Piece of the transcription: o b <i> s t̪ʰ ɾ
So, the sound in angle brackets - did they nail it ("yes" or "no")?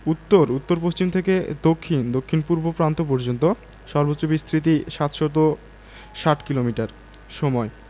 yes